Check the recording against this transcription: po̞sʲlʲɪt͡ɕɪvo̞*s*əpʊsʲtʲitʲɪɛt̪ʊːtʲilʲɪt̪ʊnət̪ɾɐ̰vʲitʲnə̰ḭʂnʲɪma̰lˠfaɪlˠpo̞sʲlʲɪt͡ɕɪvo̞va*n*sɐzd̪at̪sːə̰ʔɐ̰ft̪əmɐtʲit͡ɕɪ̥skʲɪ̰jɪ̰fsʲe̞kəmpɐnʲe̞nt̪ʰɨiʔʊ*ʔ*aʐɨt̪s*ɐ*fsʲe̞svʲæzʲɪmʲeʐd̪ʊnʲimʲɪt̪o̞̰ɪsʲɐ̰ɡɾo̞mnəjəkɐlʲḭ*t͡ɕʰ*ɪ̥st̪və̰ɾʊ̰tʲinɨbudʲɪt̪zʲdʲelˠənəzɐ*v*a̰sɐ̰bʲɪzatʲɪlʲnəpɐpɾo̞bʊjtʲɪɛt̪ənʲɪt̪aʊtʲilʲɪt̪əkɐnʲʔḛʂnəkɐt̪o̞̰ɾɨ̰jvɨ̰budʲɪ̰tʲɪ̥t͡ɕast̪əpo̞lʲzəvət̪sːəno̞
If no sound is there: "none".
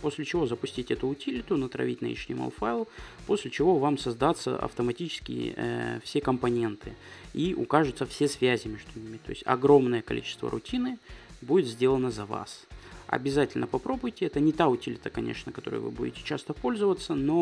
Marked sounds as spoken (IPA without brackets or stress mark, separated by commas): z, m, k, ə, t͡ɕ, v